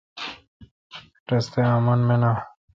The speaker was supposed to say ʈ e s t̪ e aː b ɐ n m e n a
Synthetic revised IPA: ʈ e s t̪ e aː m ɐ n m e n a